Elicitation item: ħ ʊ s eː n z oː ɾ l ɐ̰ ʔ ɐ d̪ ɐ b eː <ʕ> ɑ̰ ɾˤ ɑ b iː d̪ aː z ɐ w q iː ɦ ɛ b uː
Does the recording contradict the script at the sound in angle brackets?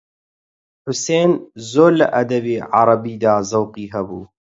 no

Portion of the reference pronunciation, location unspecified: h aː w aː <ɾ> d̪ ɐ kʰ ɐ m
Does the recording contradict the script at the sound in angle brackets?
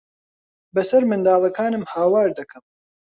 no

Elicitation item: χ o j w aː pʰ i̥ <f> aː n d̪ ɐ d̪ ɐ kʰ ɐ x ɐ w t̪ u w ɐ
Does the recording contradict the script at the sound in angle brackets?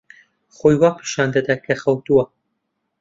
yes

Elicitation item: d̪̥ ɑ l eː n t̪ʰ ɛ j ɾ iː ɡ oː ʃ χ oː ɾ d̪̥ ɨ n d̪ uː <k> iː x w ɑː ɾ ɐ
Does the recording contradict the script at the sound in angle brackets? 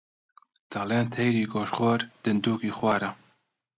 no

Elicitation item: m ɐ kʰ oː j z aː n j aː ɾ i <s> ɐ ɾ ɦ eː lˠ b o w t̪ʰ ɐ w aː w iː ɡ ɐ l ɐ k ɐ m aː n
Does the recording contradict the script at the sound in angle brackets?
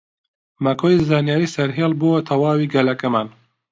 no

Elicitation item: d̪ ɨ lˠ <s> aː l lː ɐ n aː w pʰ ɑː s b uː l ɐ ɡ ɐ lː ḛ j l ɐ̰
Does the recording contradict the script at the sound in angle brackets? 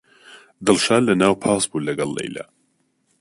yes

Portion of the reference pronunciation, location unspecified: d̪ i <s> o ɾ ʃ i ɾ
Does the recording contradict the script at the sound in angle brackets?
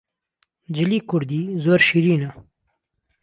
yes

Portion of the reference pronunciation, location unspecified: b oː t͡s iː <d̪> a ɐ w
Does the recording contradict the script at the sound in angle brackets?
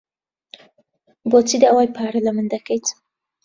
no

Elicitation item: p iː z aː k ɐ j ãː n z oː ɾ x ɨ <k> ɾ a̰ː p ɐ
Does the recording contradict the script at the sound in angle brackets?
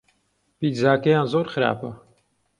yes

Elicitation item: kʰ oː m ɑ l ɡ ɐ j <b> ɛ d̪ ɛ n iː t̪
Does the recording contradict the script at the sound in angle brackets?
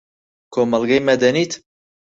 yes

